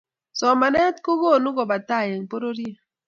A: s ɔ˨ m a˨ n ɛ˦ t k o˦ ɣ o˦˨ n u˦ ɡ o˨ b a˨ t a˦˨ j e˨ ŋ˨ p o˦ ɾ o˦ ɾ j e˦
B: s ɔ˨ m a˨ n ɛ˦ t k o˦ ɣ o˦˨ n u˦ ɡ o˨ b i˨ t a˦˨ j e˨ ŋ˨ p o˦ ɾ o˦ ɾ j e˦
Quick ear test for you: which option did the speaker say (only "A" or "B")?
A